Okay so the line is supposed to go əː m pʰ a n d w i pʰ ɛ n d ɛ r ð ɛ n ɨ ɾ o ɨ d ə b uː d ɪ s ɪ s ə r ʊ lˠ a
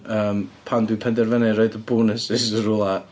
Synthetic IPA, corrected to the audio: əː m pʰ a n d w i pʰ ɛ n d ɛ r v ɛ n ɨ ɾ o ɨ d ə b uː n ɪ s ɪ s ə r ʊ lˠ a